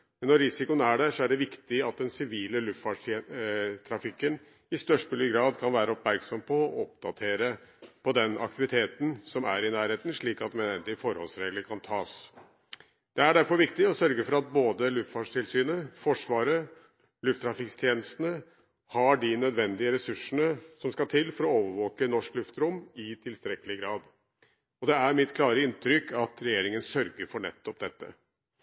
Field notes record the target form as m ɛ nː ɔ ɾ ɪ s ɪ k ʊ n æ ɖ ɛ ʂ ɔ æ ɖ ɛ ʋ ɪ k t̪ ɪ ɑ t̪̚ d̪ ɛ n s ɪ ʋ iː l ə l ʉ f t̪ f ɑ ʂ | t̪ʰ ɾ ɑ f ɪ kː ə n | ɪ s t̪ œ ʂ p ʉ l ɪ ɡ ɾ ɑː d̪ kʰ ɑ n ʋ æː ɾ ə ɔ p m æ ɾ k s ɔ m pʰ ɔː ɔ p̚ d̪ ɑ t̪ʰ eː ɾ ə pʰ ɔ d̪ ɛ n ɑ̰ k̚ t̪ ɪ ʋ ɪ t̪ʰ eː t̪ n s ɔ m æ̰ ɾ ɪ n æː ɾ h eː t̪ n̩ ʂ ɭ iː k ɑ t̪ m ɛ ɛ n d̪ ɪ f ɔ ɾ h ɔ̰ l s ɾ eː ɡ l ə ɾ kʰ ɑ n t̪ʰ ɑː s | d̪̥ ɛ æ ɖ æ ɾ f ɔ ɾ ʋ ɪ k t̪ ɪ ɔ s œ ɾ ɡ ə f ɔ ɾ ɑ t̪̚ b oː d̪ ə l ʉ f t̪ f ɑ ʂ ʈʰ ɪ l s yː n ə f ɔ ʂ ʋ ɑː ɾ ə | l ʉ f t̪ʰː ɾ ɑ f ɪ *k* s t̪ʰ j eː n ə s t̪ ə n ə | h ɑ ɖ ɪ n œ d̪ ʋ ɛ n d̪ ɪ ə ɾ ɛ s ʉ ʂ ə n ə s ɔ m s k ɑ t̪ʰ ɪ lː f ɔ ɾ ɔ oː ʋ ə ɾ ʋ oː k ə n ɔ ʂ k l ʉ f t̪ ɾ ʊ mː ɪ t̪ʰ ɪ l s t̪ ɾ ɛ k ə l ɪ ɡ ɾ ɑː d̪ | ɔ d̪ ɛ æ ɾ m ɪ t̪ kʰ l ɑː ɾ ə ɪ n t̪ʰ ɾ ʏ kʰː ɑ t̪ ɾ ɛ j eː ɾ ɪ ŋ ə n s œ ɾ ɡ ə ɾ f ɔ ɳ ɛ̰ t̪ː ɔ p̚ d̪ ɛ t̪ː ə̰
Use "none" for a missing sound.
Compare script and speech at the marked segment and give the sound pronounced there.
k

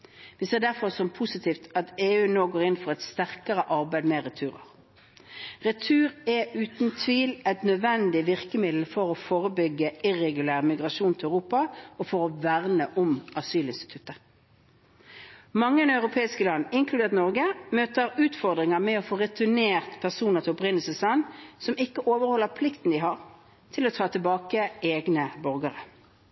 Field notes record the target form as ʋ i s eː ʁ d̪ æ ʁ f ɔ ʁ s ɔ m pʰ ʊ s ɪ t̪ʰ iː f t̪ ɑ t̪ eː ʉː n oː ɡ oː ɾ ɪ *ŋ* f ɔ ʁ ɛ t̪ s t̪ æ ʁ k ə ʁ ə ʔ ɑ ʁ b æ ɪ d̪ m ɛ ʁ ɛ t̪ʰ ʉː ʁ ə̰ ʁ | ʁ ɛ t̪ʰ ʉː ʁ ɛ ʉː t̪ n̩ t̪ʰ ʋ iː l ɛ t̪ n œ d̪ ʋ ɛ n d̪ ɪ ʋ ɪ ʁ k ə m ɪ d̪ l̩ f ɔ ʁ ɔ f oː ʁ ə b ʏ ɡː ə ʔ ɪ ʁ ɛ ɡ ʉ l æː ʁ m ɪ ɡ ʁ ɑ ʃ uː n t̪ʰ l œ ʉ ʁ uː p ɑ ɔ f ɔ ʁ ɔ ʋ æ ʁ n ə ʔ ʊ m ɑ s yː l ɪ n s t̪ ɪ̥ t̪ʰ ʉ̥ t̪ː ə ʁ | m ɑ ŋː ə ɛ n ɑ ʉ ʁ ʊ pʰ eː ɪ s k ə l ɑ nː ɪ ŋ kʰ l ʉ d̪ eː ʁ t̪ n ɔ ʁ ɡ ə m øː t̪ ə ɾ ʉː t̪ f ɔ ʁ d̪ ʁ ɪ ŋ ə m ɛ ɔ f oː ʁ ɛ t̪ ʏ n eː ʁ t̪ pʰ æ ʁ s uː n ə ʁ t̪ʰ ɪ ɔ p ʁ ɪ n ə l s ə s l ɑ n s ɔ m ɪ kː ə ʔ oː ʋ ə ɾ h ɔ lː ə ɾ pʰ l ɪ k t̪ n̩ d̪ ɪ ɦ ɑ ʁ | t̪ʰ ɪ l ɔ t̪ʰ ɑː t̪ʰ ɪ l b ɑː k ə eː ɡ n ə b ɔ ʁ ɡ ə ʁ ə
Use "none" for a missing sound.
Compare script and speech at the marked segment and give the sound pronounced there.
n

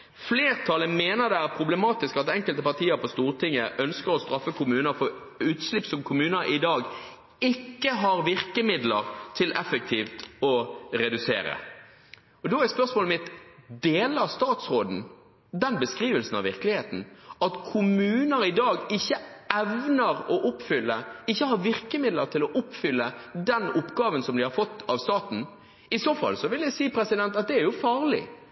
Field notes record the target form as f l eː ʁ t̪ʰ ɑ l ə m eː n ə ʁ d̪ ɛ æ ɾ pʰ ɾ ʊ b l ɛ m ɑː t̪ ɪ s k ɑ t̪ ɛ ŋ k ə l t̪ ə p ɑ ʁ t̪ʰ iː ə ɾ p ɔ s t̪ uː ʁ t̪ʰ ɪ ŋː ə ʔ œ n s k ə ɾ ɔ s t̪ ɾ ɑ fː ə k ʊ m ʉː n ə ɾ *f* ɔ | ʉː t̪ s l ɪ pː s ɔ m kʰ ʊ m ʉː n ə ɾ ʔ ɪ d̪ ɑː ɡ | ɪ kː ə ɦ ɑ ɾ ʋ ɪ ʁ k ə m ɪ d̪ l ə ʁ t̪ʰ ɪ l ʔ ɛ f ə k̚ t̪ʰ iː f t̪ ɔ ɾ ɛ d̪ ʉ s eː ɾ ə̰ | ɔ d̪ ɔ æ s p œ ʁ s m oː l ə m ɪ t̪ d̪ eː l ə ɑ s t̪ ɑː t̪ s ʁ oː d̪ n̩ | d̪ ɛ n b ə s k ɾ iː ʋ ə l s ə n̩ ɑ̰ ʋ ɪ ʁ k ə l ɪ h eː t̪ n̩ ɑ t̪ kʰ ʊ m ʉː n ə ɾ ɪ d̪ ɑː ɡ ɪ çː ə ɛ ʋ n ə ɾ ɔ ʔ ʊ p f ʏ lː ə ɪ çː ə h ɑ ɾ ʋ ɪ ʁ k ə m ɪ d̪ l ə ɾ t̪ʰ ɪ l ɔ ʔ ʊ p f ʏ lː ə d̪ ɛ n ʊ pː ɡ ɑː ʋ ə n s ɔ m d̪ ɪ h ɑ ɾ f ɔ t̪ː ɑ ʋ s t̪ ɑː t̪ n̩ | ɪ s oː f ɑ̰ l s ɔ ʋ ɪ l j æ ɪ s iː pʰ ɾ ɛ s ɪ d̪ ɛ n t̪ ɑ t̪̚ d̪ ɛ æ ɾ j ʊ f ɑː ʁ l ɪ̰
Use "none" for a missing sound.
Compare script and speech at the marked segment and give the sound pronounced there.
f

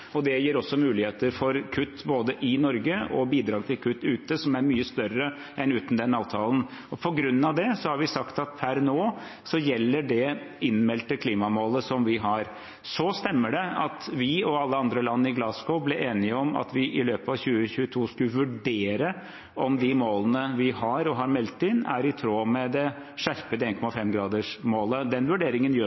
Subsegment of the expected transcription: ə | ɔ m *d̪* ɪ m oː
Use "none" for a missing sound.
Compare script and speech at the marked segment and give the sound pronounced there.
d̪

